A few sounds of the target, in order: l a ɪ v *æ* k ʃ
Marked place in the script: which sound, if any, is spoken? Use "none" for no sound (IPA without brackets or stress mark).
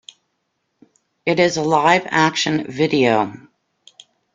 æ